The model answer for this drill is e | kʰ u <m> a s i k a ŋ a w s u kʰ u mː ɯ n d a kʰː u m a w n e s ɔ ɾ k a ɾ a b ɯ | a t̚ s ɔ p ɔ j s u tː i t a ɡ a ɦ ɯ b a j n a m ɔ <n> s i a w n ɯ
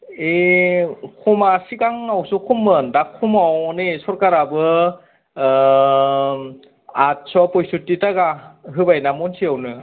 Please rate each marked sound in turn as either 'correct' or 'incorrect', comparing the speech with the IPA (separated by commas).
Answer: correct, correct